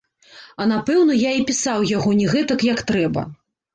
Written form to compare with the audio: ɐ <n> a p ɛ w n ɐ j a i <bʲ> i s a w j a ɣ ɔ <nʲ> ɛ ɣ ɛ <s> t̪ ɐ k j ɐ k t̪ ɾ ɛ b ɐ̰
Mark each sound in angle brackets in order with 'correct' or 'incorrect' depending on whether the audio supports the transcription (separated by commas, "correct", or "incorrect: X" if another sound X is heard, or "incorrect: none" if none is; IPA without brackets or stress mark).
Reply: correct, incorrect: pʲ, correct, incorrect: none